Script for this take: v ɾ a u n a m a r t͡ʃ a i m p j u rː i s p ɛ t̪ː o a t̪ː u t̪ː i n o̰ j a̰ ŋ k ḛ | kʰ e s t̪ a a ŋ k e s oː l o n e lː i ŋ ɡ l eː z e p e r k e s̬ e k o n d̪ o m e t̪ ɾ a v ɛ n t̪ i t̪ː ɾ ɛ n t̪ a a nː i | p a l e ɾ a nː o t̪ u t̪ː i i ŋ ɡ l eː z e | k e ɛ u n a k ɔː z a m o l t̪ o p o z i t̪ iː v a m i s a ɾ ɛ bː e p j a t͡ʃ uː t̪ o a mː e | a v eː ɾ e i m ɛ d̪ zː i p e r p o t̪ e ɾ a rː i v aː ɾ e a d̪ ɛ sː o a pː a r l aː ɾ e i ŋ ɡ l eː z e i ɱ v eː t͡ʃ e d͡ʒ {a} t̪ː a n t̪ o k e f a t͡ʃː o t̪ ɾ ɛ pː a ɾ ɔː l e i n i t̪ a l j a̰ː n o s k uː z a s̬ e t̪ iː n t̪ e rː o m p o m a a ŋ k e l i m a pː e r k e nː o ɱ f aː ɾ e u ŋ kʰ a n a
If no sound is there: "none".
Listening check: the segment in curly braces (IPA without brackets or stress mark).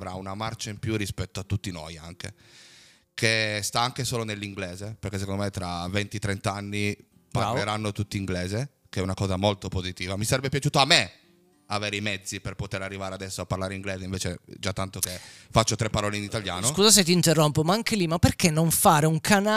a